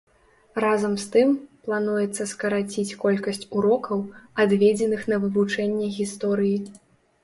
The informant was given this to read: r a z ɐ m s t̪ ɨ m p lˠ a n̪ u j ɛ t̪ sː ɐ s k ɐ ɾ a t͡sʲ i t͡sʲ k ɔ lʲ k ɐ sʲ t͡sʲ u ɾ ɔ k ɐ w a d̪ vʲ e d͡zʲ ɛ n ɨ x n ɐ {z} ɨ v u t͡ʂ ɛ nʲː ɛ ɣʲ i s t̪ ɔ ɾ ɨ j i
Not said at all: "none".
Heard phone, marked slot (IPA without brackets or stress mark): v